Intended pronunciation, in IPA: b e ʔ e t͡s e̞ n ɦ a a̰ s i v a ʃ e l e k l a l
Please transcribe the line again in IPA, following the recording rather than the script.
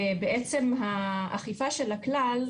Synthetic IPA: b e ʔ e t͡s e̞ m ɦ a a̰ χ i f a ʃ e l a k l a l